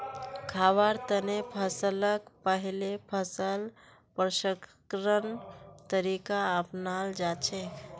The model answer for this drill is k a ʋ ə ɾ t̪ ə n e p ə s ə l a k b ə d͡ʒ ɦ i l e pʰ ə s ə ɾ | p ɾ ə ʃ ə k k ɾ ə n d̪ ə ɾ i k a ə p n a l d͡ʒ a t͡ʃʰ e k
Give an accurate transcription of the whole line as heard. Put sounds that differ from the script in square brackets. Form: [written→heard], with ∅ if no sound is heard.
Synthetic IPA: [k→kʰ] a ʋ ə ɾ t̪ ə n e [p→pʰ] ə s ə l [a→ə] k [b→p] ə [d͡ʒ→∅] ɦ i l e pʰ ə s ə [ɾ→l] | p ɾ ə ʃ ə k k ɾ ə n [d̪→t̪] ə ɾ i k a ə p n a l d͡ʒ a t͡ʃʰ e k